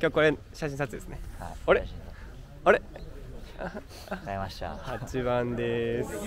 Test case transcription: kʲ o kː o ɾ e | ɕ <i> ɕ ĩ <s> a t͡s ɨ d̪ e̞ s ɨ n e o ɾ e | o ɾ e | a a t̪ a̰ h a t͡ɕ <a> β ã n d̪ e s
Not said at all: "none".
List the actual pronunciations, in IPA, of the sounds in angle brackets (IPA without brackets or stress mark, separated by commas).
a, s, i